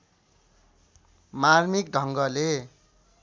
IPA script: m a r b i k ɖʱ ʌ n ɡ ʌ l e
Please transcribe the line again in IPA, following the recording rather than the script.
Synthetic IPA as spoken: m a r m i k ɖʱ ʌ ŋ ɡ ʌ l e